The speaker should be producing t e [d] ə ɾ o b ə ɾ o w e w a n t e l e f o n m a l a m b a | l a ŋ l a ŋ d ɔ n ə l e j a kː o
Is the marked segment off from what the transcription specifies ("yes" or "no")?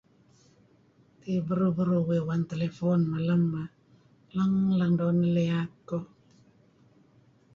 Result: yes